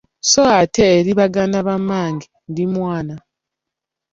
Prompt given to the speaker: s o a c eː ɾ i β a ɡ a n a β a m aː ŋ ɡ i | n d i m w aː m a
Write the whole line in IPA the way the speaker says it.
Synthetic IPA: s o a t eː ɾ i β a ɡ a n a β a m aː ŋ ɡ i | n d i m w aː n a